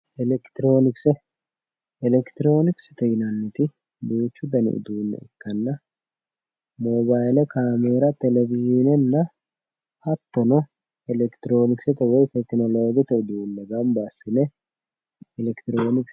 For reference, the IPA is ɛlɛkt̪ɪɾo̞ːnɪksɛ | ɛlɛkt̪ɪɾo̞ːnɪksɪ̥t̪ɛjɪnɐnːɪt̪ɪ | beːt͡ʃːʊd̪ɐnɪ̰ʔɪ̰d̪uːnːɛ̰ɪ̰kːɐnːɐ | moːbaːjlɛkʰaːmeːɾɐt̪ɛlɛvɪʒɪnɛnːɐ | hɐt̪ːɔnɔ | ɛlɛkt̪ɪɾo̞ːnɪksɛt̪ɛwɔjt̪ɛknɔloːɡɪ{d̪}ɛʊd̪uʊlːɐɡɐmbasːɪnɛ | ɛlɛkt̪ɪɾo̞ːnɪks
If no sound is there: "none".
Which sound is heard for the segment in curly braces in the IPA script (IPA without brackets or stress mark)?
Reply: t̪